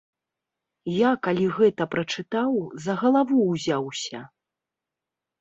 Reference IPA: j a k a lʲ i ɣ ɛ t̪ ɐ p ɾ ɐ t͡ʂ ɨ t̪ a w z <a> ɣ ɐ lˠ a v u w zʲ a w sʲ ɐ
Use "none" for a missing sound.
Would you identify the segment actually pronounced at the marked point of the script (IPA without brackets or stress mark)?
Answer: ɐ